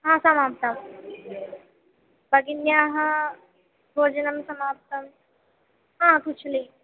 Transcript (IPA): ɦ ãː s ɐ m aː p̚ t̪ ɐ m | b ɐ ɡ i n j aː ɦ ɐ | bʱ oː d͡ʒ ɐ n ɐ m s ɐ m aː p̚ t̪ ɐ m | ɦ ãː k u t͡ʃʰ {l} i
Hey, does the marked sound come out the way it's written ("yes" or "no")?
yes